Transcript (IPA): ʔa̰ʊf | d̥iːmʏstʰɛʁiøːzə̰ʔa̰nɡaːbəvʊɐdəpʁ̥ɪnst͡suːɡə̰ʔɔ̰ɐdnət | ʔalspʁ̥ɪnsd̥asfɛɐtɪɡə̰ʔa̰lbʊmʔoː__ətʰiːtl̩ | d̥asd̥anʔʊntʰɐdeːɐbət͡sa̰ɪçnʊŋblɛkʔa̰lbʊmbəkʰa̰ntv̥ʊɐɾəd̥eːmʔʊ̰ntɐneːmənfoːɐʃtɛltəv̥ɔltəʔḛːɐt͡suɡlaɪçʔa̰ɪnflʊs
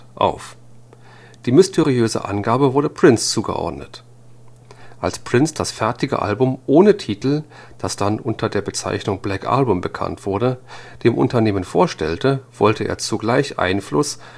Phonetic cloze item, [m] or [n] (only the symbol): n